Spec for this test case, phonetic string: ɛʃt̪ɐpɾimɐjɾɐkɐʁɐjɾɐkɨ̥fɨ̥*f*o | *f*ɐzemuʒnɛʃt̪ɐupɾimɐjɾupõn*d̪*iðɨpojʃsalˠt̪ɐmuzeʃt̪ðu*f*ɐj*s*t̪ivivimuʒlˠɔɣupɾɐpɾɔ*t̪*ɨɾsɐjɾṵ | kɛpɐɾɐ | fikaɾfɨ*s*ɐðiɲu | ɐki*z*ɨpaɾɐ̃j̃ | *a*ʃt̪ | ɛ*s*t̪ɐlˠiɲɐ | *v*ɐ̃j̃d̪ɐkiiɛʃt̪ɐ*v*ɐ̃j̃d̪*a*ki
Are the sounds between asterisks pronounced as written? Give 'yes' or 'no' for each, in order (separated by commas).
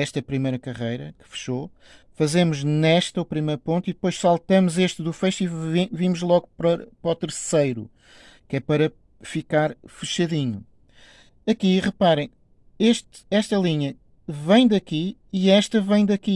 no, yes, no, yes, no, yes, no, no, no, no, yes, yes, no